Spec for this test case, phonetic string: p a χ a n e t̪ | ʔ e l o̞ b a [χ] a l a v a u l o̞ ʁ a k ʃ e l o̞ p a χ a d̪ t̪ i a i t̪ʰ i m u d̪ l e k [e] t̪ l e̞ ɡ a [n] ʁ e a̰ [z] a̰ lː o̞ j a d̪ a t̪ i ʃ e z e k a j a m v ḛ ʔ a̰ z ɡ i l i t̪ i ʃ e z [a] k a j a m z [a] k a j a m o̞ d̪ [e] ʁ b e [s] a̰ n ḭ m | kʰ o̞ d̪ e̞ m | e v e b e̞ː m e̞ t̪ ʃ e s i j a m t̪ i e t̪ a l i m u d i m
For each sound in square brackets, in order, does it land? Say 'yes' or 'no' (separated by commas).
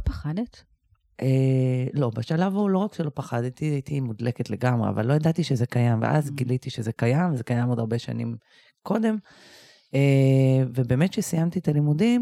no, yes, no, no, no, no, no, no